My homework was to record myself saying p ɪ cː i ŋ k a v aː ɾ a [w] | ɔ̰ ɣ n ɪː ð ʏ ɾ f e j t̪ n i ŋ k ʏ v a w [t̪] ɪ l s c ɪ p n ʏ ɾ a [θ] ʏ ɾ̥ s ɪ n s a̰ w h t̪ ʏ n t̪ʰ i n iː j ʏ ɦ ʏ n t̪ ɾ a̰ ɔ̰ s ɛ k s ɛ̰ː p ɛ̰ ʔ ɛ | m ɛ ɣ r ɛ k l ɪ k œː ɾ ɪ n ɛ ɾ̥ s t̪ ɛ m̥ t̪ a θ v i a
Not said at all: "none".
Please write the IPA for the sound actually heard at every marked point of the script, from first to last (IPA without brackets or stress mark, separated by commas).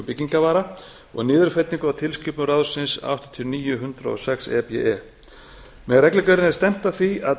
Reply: none, t̪ʰ, ð